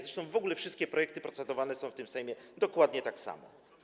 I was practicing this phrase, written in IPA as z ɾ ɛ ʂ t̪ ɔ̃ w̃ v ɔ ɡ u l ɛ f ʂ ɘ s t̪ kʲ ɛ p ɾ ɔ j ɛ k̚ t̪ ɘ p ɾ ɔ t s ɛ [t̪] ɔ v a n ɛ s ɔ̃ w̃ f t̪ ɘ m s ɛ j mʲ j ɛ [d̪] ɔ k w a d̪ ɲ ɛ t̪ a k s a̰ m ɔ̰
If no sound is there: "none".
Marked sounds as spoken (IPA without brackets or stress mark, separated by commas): d̪, d̪